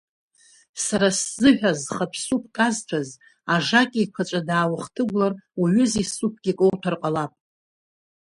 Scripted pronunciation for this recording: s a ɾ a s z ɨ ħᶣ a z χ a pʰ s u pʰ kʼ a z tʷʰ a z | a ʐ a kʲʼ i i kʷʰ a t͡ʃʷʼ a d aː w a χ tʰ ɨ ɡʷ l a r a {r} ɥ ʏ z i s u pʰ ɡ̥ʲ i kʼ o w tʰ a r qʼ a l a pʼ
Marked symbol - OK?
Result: no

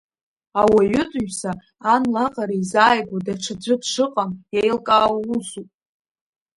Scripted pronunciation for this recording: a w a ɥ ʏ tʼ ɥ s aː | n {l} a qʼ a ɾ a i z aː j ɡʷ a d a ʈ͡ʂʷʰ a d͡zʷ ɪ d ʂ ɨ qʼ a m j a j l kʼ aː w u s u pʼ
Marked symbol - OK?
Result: yes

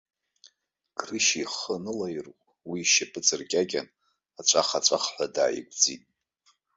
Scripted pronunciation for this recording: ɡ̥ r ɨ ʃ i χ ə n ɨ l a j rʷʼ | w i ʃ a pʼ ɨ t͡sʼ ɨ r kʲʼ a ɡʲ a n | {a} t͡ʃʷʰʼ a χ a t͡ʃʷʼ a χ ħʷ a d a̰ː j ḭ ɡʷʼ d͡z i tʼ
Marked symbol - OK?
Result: yes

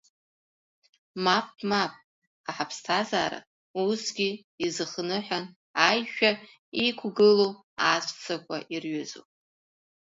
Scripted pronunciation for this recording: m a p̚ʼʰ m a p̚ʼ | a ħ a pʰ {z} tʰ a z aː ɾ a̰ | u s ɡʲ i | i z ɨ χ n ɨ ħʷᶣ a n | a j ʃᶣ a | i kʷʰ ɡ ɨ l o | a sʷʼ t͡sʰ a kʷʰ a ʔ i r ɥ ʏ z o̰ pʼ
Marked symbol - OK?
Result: no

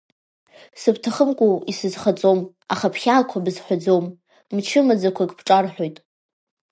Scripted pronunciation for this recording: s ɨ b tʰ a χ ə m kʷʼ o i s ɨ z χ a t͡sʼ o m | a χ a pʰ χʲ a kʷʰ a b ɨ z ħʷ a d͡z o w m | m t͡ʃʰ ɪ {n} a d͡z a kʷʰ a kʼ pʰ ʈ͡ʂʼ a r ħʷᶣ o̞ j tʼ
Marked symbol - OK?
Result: no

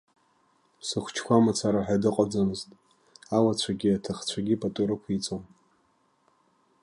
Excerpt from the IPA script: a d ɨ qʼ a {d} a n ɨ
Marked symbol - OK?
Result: no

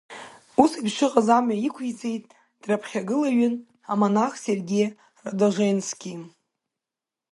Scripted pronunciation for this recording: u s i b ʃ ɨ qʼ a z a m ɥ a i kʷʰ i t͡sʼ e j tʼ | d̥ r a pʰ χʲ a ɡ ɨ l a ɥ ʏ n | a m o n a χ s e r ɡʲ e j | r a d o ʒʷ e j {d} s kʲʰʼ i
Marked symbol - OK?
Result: no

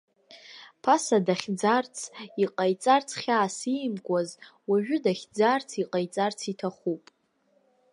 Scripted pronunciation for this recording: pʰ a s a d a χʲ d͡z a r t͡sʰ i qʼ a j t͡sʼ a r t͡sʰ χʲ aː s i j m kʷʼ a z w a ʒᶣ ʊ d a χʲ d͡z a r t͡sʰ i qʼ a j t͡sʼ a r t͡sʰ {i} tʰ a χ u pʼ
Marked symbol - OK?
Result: yes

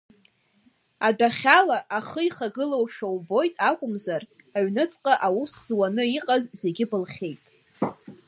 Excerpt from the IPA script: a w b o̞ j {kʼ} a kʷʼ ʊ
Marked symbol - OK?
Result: no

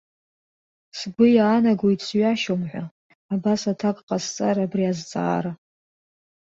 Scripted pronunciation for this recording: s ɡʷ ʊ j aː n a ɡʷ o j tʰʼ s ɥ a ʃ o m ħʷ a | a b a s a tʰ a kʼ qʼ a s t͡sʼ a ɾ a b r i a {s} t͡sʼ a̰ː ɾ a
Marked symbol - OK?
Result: no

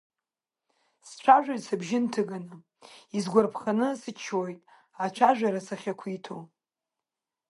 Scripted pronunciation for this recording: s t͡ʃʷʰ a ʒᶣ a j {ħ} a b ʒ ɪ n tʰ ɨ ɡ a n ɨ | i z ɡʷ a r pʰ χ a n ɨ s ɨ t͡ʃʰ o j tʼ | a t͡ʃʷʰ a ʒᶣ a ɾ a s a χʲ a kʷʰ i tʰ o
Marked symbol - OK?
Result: no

